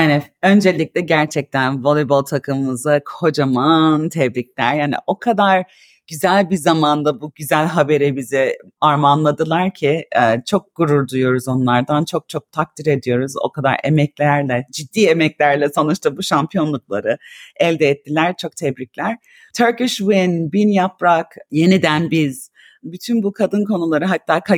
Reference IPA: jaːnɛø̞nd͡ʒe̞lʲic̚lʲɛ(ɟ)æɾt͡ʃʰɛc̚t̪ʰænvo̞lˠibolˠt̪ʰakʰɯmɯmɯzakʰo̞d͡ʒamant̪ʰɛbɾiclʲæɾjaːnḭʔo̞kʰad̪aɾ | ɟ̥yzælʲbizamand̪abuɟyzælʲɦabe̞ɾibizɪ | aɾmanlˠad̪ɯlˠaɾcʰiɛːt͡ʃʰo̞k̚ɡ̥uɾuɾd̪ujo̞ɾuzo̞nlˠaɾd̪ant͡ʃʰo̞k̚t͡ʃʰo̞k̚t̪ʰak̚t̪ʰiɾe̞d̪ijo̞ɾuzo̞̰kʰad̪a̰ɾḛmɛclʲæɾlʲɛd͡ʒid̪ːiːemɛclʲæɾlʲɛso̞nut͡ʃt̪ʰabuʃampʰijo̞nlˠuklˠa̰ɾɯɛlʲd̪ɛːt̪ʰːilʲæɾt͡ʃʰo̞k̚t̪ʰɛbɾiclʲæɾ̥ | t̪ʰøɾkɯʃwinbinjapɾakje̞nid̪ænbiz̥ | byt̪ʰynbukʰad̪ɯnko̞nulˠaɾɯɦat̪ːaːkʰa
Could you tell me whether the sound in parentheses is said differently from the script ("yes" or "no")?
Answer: no